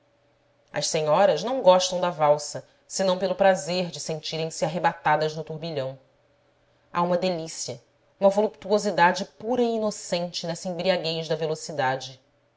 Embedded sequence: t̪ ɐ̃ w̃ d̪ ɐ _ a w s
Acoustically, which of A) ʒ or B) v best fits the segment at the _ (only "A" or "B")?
B